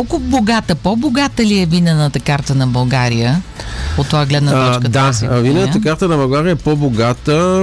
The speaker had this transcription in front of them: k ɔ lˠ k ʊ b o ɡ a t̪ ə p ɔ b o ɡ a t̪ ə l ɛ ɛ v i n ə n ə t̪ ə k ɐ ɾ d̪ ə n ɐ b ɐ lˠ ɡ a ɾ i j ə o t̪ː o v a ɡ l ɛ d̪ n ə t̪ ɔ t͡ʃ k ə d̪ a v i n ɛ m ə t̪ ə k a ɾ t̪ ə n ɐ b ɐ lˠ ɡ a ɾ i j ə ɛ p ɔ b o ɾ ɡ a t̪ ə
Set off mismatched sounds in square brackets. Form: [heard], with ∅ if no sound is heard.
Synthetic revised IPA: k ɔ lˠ k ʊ b o ɡ a t̪ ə p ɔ b o ɡ a t̪ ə l [i] ɛ v i n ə n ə t̪ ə k [a] ɾ [t̪] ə n ɐ b ɐ lˠ ɡ a ɾ i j ə o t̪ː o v a ɡ l ɛ d̪ n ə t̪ ɔ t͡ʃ k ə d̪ a v i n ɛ [n] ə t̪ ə k a ɾ t̪ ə n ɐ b ɐ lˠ ɡ a ɾ i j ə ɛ p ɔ b o [∅] ɡ a t̪ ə